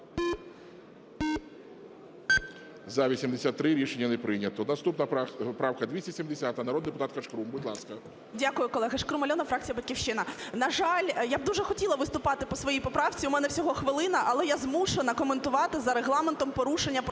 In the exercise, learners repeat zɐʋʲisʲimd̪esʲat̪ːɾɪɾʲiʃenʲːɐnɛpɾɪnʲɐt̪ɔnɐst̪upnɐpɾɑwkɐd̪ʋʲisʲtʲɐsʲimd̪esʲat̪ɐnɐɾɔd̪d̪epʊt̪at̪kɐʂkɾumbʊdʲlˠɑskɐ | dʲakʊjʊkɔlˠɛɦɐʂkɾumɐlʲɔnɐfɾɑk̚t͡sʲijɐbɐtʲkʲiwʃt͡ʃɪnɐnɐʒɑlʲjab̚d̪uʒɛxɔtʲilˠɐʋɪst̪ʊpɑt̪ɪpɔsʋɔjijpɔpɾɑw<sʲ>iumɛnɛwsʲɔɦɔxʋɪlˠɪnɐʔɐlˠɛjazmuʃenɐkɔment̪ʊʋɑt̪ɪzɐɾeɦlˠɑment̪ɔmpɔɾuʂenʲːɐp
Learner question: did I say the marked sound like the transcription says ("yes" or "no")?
no